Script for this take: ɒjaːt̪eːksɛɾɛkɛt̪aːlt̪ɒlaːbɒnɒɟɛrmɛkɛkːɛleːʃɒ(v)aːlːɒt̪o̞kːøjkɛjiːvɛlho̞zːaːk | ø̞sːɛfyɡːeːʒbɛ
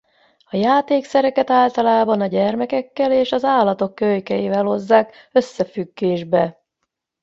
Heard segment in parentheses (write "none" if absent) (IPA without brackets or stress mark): z